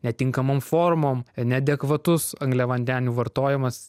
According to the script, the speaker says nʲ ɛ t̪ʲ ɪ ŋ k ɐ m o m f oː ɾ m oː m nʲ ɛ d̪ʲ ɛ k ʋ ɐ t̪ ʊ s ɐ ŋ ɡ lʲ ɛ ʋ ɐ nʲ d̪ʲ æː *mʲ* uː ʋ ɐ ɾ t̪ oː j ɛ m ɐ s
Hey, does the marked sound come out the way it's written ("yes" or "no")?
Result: no